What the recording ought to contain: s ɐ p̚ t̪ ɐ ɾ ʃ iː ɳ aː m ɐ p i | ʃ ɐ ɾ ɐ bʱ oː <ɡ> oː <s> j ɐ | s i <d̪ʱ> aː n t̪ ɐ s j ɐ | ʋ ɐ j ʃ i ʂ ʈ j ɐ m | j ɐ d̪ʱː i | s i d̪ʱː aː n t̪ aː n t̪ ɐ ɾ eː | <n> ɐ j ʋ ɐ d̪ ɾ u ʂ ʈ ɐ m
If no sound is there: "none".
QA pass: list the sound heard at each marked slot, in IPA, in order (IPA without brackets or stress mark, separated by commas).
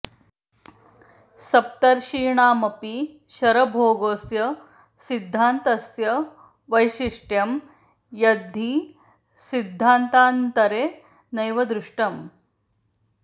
ɡ, s, d̪ʱː, n